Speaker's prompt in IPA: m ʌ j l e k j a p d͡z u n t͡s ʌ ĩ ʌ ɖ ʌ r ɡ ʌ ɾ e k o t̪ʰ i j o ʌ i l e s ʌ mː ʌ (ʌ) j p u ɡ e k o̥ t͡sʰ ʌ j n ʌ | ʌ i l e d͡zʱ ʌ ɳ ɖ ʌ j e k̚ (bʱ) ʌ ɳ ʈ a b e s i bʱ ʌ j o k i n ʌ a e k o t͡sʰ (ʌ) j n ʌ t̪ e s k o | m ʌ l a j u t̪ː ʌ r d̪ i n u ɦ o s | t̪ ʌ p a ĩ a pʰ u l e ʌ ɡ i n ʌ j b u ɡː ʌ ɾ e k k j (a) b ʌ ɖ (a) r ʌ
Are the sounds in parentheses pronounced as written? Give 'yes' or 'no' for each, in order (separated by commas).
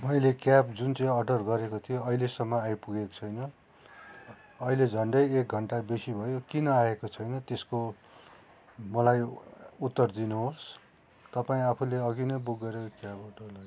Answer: no, no, yes, yes, no